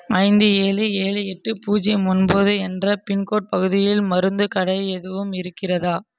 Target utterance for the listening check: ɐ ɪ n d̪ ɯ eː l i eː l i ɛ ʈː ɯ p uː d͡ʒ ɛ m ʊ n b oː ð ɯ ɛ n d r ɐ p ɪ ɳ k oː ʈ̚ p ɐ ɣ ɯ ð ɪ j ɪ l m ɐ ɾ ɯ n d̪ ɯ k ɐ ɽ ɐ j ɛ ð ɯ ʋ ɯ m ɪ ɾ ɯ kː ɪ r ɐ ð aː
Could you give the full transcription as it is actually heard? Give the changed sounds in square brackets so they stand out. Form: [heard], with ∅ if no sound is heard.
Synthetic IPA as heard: ɐ ɪ n d̪ ɯ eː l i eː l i ɛ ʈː ɯ p uː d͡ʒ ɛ m ʊ n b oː ð ɯ ɛ n d r ɐ p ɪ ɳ k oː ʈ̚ p ɐ ɣ ɯ ð ɪ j ɪ l m ɐ ɾ ɯ n d̪ ɯ k ɐ ɽ ɐ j ɛ ð ɯ ʋ ɯ m ɪ ɾ ɯ kː ɪ r ɐ ð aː